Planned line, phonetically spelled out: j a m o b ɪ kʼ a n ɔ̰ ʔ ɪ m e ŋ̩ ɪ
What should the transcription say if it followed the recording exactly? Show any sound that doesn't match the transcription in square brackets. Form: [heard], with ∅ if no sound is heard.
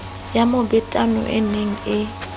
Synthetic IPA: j a m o b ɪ [tʼ] a n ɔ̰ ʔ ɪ [n] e ŋ̩ ɪ